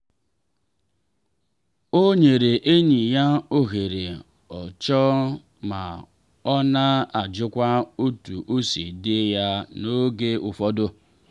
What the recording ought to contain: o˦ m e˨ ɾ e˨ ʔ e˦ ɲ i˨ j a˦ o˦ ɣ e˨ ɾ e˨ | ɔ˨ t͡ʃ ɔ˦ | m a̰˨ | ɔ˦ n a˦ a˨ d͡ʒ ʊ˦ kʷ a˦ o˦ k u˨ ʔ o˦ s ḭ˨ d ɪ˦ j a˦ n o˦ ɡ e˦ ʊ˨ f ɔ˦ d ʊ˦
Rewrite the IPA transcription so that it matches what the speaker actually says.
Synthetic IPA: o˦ ɲ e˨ ɾ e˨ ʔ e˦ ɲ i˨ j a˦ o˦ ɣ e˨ ɾ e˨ | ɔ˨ t͡ʃ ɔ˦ | m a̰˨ | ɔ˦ n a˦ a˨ d͡ʒ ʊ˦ kʷ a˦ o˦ t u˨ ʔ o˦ s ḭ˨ d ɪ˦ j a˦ n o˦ ɡ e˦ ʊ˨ f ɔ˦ d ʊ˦